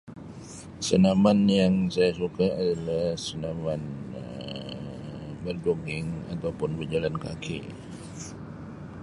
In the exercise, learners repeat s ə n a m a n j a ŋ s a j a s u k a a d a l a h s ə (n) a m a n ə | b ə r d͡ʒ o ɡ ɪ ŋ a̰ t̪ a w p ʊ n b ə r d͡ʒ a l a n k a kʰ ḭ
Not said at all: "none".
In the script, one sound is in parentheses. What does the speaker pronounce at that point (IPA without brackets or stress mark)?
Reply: n